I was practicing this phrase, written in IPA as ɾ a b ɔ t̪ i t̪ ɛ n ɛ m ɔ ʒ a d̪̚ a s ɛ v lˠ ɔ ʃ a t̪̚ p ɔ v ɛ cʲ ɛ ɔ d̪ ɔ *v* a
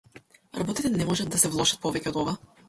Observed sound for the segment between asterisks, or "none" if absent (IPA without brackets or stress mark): v